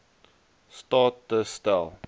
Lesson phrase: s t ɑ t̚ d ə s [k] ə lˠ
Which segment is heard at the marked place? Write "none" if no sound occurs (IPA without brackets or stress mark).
t